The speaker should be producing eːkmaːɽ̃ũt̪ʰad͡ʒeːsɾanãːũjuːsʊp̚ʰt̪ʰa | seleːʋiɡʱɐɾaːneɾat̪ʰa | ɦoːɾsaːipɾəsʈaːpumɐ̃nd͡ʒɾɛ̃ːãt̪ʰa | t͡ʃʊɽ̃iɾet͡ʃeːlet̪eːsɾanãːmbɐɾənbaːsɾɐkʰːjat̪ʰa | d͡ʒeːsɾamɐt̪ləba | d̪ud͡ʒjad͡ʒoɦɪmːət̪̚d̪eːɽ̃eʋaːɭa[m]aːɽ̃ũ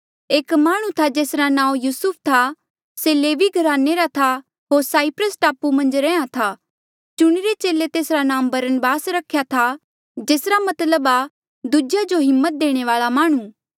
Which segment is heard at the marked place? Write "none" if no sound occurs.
m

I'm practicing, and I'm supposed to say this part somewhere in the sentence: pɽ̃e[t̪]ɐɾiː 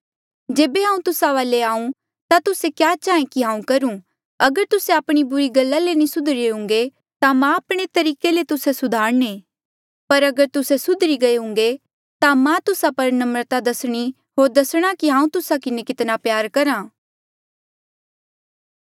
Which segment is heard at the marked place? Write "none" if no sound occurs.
t̪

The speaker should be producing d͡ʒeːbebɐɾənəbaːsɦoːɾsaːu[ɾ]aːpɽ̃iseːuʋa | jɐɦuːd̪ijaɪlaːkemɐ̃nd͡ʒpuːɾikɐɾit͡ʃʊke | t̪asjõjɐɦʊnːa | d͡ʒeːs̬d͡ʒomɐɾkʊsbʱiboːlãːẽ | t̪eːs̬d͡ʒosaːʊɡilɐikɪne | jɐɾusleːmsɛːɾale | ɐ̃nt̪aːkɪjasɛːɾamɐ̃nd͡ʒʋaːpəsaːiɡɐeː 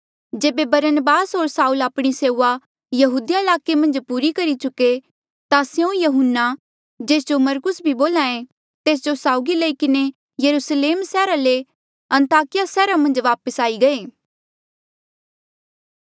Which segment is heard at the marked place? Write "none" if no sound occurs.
l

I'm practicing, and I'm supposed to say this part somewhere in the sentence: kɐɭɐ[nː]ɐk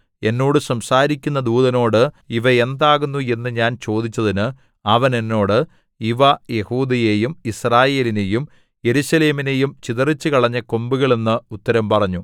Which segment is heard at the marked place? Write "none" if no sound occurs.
ɲː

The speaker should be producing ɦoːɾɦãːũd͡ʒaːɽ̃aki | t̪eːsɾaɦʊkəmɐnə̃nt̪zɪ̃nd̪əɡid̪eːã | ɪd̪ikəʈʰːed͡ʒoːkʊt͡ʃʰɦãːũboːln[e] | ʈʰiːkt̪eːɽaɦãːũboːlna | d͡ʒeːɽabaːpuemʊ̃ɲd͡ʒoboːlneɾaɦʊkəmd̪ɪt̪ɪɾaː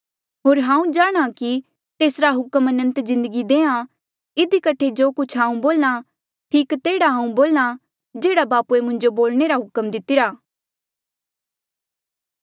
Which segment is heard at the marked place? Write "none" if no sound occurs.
a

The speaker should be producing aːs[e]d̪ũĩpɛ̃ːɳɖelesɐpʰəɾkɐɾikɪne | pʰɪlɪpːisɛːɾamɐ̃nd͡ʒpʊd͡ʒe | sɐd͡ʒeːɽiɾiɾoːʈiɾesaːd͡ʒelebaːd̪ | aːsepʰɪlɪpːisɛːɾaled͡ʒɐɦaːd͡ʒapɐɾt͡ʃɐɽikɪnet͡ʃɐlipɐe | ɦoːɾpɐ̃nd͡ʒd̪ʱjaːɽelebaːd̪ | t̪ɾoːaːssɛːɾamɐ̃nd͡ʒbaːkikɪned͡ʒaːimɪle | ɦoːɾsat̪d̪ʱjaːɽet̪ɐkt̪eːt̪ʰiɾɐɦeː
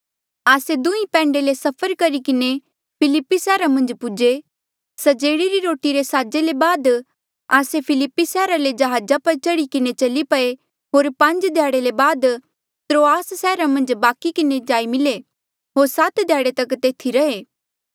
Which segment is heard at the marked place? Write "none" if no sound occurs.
e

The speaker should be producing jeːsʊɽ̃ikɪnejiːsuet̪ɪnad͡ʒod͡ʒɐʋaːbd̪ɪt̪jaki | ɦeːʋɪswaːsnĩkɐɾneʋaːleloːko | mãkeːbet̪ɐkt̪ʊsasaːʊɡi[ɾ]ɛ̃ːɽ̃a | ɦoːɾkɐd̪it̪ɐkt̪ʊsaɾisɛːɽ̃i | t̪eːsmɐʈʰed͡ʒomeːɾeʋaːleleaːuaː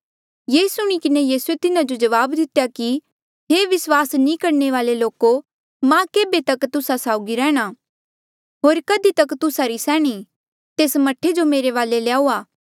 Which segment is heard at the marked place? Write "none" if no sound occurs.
ɾ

